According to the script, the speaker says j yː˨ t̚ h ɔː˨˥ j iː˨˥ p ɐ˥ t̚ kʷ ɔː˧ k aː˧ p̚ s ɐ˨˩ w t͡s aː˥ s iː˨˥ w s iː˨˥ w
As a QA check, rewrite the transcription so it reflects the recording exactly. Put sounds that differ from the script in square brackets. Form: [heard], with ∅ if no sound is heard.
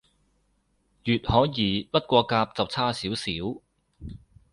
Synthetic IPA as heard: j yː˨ t̚ h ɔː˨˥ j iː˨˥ p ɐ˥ t̚ kʷ ɔː˧ k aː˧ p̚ [t͡s] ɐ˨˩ w [t͡sʰ] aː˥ s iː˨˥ w s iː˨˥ w